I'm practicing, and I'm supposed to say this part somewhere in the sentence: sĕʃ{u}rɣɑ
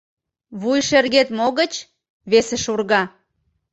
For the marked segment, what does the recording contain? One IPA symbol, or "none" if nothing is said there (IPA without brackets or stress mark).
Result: u